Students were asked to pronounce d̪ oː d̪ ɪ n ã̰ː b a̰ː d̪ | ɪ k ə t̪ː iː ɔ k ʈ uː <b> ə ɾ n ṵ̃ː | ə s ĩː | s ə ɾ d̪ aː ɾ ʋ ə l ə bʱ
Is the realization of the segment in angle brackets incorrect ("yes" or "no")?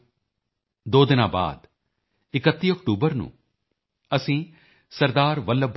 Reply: no